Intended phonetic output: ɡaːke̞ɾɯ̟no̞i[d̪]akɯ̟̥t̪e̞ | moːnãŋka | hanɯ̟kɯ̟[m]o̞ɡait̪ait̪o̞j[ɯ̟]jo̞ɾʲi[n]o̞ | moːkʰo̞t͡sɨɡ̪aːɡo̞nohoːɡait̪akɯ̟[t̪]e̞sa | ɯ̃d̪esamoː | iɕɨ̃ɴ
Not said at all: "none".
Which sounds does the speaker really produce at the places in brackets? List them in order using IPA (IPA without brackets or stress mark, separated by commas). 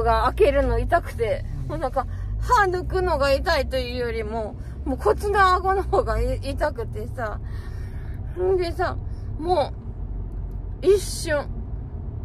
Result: t̪, n, ɯ̟ː, m, t̪